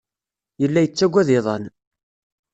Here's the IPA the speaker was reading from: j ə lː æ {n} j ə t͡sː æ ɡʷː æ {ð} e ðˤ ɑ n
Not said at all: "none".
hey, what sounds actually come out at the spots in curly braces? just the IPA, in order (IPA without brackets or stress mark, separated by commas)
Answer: none, ð